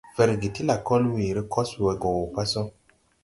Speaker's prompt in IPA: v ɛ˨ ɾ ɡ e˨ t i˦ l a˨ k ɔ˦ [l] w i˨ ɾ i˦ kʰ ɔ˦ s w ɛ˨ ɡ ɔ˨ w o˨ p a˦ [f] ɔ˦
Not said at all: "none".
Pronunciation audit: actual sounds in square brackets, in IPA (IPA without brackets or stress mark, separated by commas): l, s